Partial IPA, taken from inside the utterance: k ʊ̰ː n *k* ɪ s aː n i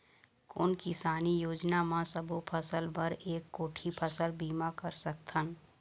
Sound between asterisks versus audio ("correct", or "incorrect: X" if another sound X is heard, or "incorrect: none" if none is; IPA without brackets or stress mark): correct